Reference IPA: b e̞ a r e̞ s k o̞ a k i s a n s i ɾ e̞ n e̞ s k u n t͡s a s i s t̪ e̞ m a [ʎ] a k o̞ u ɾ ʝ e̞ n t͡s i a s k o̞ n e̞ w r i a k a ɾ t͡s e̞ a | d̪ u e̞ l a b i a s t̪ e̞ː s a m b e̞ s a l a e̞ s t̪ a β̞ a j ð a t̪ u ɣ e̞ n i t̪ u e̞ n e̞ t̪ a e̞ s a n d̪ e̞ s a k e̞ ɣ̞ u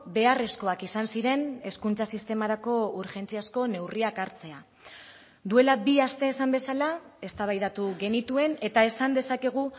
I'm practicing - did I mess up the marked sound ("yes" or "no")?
yes